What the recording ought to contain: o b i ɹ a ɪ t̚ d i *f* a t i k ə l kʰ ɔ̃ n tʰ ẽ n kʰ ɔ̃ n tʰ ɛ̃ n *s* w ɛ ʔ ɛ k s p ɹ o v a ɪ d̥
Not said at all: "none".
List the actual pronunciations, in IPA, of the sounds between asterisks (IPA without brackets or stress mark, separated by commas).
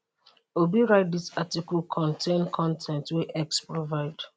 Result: s, t